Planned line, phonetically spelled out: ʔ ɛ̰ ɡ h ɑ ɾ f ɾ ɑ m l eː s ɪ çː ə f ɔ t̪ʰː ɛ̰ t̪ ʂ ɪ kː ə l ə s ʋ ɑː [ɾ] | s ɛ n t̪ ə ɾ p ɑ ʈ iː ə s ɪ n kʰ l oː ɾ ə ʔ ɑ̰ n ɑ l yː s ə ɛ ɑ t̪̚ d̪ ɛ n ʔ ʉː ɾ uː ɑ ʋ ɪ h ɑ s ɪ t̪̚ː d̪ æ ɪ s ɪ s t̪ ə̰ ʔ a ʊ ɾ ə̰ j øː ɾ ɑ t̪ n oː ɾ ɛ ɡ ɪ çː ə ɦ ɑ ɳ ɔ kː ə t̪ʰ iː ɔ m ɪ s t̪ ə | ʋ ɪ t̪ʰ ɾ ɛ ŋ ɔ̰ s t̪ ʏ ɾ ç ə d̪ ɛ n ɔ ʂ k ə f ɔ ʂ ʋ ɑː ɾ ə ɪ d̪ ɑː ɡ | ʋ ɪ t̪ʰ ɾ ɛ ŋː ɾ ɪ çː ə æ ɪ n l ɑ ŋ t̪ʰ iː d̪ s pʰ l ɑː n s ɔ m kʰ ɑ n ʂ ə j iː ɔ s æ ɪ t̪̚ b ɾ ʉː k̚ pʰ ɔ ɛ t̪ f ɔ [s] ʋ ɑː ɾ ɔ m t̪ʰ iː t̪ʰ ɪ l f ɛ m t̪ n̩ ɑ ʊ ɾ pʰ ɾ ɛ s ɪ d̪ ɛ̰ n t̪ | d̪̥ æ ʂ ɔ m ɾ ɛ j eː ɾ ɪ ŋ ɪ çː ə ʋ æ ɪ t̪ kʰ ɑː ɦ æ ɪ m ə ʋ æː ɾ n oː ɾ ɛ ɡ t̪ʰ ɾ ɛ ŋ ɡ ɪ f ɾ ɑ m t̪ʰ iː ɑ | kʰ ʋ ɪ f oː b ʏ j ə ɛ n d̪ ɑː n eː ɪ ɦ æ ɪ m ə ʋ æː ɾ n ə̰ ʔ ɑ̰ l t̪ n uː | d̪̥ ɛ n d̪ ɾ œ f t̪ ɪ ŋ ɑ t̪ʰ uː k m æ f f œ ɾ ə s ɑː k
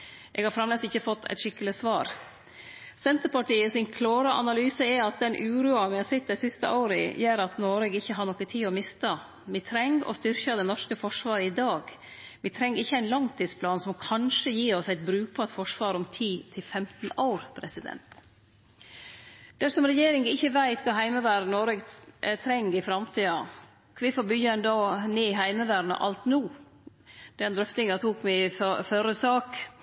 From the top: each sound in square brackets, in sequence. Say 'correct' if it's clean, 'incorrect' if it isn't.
correct, incorrect

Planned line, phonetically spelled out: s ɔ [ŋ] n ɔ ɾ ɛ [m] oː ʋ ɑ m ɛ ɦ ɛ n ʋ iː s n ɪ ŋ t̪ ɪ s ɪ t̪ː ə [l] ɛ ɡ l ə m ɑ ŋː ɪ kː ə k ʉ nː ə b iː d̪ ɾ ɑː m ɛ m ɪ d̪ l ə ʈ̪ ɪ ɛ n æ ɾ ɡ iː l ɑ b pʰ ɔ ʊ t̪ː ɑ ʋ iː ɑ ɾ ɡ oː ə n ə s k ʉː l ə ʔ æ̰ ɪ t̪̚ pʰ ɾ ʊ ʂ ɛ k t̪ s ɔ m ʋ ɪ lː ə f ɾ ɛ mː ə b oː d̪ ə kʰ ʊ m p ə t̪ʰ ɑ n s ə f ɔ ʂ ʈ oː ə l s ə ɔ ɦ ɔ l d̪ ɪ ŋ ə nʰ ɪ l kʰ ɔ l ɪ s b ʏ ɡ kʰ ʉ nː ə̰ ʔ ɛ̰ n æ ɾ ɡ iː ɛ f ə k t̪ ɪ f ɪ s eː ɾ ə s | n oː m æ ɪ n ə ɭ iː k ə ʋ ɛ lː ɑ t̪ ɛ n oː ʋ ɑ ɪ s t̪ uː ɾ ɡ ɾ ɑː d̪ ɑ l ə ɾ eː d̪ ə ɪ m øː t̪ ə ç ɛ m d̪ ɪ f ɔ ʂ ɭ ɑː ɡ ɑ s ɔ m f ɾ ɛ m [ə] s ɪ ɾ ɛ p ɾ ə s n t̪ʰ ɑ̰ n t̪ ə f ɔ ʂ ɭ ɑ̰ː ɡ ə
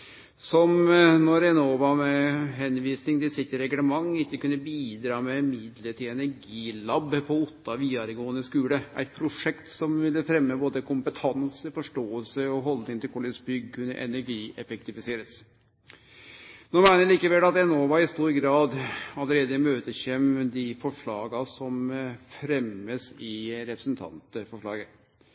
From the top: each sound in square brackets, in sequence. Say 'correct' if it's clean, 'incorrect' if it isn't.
incorrect, incorrect, incorrect, correct

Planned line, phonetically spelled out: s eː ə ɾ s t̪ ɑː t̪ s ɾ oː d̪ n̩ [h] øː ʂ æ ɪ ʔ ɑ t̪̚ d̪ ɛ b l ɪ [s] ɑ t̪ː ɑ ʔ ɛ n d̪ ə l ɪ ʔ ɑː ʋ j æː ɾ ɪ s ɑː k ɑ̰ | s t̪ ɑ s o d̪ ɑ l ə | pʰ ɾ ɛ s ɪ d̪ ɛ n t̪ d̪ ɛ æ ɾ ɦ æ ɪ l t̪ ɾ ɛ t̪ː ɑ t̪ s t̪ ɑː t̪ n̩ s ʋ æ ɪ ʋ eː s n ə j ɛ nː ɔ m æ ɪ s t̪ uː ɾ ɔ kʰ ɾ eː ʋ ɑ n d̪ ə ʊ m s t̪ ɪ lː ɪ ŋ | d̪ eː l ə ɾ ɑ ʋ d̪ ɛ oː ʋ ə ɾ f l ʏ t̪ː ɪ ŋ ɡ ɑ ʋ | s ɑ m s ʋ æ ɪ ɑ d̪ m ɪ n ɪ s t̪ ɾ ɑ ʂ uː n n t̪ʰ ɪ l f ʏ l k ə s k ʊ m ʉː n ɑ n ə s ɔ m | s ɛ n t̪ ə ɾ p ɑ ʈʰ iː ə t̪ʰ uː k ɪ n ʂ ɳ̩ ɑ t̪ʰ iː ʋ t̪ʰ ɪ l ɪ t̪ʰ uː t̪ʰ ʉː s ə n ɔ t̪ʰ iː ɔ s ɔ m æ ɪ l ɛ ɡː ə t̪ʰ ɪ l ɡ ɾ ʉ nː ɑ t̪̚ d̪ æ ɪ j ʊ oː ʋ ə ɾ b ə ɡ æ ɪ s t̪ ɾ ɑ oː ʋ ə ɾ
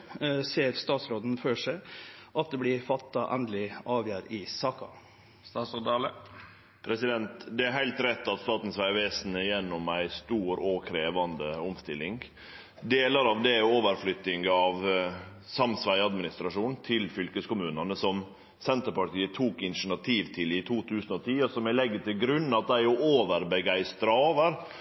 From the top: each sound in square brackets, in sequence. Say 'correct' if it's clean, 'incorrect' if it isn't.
incorrect, incorrect

